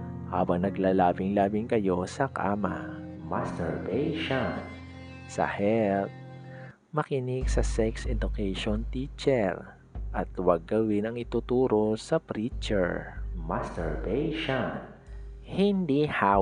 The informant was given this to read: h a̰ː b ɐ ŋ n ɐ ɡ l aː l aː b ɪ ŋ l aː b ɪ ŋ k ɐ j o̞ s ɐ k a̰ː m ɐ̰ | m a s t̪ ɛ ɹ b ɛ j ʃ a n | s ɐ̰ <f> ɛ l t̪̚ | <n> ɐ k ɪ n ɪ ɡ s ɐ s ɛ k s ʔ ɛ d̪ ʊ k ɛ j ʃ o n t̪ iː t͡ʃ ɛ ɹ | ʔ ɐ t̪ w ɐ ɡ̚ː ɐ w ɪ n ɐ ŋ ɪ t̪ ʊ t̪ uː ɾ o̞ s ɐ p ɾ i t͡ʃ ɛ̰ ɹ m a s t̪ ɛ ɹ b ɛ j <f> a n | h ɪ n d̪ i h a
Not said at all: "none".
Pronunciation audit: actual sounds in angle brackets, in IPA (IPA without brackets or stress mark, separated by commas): h, m, ʃ